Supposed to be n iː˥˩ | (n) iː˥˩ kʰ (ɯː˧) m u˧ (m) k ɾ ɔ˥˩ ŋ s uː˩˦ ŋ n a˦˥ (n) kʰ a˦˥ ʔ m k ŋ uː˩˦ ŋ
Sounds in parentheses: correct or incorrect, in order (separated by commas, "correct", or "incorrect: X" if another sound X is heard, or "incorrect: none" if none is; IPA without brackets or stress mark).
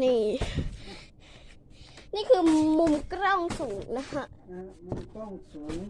correct, correct, correct, incorrect: none